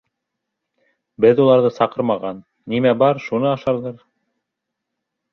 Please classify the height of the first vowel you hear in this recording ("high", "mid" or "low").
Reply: mid